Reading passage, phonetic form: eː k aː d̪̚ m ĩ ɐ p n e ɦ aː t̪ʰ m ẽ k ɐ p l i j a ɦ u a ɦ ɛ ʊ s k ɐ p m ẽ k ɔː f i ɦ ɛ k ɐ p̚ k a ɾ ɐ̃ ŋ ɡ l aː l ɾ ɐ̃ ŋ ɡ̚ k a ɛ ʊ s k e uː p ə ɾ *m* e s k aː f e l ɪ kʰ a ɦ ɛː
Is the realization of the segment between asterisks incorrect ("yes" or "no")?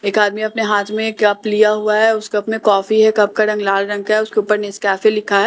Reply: yes